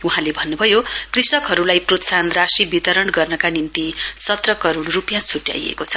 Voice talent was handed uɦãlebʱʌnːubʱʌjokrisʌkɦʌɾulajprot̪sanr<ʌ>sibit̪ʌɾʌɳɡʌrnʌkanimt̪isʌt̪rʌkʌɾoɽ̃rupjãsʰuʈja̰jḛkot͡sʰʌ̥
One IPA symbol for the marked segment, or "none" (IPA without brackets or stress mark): a